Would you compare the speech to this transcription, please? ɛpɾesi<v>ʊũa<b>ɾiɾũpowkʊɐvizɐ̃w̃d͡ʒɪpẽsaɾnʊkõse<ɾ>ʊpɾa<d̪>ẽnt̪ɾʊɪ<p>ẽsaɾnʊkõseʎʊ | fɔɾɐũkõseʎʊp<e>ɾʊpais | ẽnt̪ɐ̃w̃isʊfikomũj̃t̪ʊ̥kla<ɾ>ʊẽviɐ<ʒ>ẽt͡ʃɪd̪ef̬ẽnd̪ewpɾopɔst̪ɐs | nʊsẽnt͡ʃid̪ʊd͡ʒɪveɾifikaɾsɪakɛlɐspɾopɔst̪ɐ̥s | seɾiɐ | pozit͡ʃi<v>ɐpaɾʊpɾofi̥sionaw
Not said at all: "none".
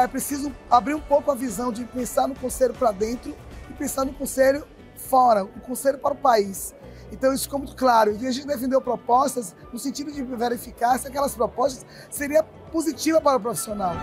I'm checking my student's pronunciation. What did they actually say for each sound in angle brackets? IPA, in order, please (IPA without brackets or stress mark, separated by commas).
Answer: z, b, ʎ, d̪, p, a, ɾ, ʒ, v